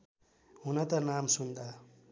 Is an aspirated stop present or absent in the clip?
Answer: absent